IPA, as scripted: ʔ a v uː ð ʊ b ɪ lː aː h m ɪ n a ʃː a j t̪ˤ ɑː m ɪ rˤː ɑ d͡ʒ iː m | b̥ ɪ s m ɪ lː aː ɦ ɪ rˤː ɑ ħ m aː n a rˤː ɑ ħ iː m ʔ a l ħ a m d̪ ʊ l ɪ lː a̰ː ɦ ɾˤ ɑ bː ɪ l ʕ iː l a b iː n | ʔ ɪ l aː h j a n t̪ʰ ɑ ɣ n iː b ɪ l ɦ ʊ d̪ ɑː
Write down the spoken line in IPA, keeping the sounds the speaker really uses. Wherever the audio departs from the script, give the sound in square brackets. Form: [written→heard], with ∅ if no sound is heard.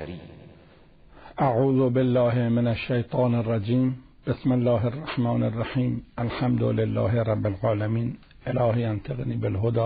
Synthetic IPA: ʔ a [v→ʕ] uː ð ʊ b ɪ lː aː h m ɪ n a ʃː a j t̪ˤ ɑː [m→n] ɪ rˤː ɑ d͡ʒ iː m | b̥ ɪ s m ɪ lː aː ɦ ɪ rˤː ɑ ħ m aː n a rˤː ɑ ħ iː m ʔ a l ħ a m d̪ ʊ l ɪ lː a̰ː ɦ ɾˤ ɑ bː ɪ l ʕ [iː→aː] l a [b→m] iː n | ʔ ɪ l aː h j a n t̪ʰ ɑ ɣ n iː b ɪ l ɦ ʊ d̪ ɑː

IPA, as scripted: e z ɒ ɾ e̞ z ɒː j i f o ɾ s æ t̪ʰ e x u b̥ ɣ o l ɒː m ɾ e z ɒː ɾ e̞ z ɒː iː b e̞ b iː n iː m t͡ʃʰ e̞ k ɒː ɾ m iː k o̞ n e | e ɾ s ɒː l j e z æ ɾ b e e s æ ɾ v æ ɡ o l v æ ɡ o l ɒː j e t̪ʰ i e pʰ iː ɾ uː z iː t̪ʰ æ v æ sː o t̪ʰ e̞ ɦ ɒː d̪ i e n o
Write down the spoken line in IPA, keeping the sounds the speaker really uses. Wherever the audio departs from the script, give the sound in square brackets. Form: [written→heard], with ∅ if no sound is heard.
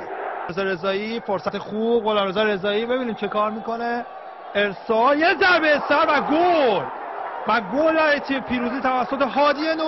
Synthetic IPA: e z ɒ ɾ e̞ z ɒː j i f o ɾ s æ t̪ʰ e x u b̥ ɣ o l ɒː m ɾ e z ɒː ɾ e̞ z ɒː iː b e̞ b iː n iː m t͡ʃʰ e̞ k ɒː ɾ m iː k o̞ n e | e ɾ s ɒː l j e z æ ɾ b e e s æ ɾ v æ ɡ o l v æ ɡ o l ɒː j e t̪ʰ i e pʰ iː ɾ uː z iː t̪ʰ æ v æ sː o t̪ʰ e̞ ɦ ɒː d̪ i e n o

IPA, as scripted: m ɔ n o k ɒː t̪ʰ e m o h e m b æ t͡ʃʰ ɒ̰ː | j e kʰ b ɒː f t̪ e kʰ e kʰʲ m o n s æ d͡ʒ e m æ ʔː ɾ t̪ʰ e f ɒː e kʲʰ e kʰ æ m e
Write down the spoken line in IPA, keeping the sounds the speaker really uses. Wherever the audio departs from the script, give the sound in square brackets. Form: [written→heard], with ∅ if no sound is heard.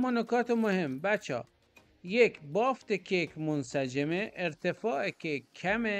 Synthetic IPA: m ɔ n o k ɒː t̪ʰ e m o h e m b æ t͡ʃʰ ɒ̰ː | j e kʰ b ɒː f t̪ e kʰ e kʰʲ m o n s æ d͡ʒ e m [æ→e] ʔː ɾ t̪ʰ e f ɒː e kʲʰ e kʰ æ m e

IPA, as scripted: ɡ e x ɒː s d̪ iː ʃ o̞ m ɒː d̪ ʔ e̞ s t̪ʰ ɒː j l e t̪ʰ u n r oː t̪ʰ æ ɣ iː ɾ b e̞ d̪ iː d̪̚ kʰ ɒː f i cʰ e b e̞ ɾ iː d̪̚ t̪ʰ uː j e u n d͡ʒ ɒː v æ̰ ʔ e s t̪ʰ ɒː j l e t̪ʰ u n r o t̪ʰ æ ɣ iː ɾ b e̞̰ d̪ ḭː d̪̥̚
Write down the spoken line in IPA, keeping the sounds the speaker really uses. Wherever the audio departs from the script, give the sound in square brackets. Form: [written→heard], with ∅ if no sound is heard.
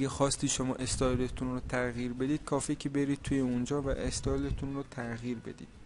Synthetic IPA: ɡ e x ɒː s [d̪→t̪] iː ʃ o̞ m ɒː [d̪→∅] ʔ e̞ s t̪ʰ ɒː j l e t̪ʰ u n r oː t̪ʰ æ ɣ iː ɾ b e̞ d̪ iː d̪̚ kʰ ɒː f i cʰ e b e̞ ɾ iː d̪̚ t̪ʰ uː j e u n d͡ʒ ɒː v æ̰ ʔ e s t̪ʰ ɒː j l e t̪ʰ u n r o t̪ʰ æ ɣ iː ɾ b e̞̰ d̪ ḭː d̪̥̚

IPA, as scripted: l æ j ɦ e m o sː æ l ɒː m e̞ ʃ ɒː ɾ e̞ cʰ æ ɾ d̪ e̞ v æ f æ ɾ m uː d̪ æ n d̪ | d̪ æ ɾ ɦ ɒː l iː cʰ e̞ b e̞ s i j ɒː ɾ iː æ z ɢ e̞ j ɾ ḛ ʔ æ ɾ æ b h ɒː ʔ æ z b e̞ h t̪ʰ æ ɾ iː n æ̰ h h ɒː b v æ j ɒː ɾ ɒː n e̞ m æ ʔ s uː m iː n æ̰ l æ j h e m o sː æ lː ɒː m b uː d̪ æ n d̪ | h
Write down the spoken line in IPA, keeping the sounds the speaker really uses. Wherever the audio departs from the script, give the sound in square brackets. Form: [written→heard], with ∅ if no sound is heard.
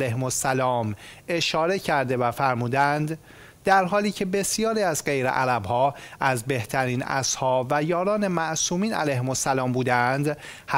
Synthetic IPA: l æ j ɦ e m o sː æ l ɒː m e̞ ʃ ɒː ɾ e̞ cʰ æ ɾ d̪ e̞ v æ f æ ɾ m uː d̪ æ n d̪ | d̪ æ ɾ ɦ ɒː l iː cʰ e̞ b e̞ s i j ɒː ɾ iː æ z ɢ e̞ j ɾ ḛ ʔ æ ɾ æ b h ɒː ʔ æ z b e̞ h t̪ʰ æ ɾ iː n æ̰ [h→s] h ɒː b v æ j ɒː ɾ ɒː n e̞ m æ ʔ s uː m iː n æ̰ l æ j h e m o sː æ [lː→l] ɒː m b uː d̪ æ n d̪ | h

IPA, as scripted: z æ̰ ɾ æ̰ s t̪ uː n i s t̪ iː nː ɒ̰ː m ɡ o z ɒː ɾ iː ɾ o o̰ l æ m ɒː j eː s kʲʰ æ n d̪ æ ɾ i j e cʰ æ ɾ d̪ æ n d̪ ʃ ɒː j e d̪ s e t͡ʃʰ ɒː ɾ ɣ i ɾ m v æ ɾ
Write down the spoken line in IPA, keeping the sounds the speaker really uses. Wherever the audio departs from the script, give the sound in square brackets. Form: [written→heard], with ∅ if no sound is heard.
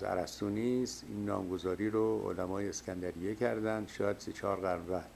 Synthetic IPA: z æ̰ ɾ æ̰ s t̪ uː n i s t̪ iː nː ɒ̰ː m ɡ o z ɒː ɾ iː ɾ o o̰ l æ m ɒː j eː s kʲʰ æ n d̪ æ ɾ i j e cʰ æ ɾ d̪ æ n d̪ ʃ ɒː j [e→æ] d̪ s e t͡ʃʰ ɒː ɾ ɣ [i→æ] ɾ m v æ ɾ

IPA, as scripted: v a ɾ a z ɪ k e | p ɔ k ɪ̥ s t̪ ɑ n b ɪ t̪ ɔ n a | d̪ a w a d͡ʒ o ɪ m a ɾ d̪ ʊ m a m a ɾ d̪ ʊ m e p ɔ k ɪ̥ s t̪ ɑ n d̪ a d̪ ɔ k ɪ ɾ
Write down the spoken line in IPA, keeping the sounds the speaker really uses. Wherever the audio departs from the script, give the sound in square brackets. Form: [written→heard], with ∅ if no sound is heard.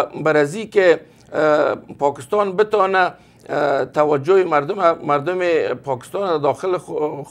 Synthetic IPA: [v→b] a ɾ a z [ɪ→i] k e | p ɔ k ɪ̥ s t̪ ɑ n b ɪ t̪ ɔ n a | [d̪→t̪] a w a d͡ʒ o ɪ m a ɾ d̪ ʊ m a m a ɾ d̪ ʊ m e p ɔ k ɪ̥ s t̪ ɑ n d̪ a d̪ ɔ [k→x] ɪ [ɾ→l]

